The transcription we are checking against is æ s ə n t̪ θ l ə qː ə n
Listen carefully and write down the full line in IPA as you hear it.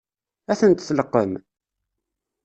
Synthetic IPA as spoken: æ θ ə n t̪ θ l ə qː ə m